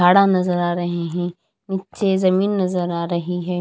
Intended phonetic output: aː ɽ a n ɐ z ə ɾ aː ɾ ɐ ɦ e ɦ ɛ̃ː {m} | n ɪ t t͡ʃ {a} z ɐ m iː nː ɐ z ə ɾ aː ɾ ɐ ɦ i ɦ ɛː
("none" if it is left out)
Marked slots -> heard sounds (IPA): none, e

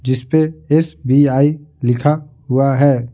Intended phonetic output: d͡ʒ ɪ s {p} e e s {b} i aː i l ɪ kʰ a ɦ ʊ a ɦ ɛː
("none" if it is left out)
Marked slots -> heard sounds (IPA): p, b

